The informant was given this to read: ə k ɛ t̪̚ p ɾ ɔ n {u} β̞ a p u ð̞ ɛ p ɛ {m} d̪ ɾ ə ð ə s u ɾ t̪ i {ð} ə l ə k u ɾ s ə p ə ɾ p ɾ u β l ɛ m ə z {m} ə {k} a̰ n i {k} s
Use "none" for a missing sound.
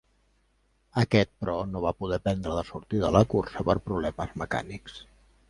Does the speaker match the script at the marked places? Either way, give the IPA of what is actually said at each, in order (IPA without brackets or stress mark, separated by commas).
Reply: o, n, ð, m, k, k